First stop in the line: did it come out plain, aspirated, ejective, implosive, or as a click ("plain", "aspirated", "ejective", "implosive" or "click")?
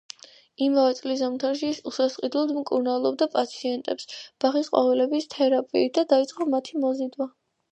plain